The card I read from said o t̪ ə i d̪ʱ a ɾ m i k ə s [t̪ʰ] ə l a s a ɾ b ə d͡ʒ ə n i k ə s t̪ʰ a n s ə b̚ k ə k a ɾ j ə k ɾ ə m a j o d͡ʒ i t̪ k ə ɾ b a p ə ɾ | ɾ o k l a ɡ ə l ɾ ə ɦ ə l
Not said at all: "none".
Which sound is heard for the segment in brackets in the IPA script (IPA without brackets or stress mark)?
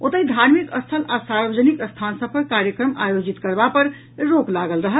t̪ʰ